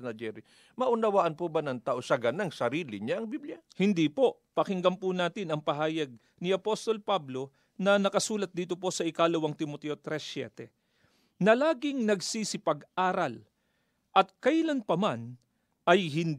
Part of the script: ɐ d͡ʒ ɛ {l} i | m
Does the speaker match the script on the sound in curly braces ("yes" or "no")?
no